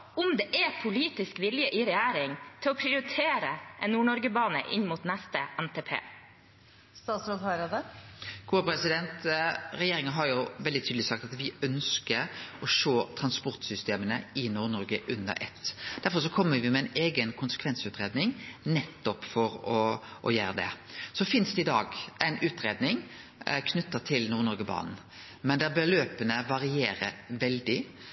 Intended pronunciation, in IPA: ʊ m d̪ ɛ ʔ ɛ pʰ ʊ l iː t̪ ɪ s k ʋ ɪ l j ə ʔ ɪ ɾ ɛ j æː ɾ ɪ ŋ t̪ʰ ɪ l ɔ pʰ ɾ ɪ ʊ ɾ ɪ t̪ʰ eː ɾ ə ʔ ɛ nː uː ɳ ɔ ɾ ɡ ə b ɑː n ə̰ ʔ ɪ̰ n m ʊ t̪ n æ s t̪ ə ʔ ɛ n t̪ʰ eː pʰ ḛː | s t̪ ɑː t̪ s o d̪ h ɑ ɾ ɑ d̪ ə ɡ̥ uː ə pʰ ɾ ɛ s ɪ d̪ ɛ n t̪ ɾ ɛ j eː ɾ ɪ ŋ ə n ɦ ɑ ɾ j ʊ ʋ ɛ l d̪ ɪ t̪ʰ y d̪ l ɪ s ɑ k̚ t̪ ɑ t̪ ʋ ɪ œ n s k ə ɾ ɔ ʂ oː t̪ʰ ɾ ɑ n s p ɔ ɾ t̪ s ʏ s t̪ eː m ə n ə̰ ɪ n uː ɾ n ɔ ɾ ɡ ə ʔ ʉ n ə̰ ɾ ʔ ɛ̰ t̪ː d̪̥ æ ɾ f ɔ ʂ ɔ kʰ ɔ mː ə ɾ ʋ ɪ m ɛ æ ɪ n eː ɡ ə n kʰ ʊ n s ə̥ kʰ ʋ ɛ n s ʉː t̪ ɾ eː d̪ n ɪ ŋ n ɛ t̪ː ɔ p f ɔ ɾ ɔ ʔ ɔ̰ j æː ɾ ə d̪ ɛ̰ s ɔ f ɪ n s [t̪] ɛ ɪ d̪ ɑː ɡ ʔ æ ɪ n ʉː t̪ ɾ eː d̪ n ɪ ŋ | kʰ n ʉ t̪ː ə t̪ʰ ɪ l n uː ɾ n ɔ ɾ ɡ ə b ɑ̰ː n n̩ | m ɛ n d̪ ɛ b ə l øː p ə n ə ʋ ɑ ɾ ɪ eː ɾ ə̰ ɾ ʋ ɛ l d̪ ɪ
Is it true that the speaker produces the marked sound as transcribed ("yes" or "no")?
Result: no